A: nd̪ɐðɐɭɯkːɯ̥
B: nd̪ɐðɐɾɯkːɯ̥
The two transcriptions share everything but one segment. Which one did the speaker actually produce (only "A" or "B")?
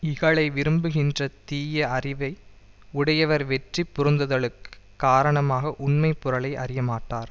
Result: A